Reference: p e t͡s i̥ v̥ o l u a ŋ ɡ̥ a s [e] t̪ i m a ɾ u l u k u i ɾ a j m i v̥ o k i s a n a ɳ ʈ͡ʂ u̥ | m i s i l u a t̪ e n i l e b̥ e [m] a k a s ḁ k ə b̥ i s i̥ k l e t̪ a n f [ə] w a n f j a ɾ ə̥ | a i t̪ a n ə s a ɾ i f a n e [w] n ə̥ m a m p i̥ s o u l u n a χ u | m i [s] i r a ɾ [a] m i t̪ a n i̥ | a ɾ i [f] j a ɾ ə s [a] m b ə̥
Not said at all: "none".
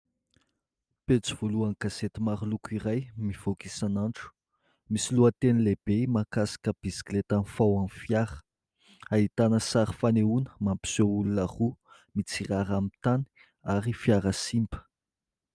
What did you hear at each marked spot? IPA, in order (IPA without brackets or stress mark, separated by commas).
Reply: e, m, a, u, t͡s, a, f, i